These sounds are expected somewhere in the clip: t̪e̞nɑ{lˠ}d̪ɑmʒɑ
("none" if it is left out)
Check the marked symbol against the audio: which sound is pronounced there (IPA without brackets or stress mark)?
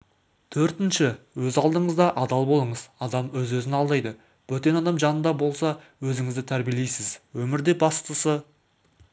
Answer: none